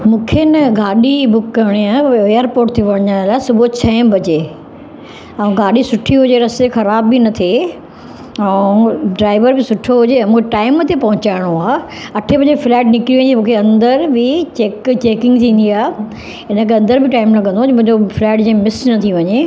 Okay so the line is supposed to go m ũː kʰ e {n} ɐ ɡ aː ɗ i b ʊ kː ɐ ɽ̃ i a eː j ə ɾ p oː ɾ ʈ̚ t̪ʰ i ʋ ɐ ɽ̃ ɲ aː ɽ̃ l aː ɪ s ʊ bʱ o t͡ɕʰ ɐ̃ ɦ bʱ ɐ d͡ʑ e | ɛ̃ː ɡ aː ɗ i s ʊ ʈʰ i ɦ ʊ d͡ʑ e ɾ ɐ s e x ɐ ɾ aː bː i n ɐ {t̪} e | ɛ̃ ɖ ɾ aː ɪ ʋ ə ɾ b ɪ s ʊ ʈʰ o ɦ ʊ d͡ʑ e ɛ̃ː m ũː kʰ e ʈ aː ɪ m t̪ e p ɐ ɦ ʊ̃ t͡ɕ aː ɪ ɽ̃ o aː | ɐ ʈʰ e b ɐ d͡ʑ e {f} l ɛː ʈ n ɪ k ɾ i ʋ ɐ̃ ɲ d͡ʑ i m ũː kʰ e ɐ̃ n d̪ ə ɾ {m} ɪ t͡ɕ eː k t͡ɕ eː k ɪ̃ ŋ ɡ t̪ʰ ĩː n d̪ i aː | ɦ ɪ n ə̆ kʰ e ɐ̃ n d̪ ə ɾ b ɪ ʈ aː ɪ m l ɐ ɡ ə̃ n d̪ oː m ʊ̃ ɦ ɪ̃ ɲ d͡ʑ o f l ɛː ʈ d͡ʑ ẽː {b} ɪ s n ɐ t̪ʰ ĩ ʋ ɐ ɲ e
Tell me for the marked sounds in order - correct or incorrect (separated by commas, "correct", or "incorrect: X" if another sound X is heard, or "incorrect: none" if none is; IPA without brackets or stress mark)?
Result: correct, incorrect: t̪ʰ, correct, incorrect: b, incorrect: m